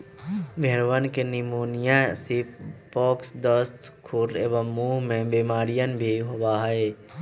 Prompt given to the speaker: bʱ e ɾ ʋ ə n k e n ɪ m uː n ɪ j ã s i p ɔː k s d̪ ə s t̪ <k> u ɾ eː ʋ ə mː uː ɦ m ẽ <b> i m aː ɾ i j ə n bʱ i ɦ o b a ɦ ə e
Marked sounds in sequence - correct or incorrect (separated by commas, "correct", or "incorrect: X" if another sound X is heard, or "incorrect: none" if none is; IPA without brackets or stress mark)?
incorrect: kʰ, correct